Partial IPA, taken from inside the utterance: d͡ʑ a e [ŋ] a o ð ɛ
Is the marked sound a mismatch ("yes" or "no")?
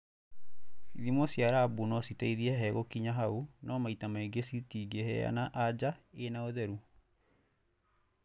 yes